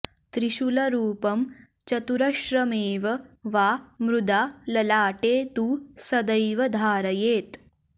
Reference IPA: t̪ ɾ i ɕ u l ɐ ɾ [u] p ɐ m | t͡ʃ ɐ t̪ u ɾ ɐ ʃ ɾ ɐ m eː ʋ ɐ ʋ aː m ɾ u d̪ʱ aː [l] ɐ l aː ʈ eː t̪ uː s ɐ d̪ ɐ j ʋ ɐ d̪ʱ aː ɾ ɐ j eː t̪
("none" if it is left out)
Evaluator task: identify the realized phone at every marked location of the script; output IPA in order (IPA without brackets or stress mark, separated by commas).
uː, l